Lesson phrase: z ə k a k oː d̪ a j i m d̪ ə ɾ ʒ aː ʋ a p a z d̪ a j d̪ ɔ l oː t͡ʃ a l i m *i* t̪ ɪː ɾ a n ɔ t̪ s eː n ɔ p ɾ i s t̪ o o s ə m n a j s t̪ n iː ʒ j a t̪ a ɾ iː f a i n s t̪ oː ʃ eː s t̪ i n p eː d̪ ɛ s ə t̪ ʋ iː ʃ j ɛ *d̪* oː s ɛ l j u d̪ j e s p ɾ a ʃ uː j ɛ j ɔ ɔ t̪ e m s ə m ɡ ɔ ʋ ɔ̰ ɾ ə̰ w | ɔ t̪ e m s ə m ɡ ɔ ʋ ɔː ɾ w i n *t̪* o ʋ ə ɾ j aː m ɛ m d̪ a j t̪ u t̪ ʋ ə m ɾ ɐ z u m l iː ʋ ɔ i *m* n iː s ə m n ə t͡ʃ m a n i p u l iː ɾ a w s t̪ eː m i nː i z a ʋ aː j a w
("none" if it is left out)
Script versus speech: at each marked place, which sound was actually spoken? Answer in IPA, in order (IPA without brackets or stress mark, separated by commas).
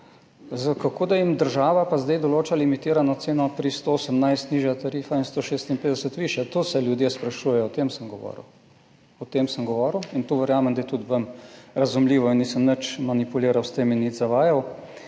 i, t̪, t̪, n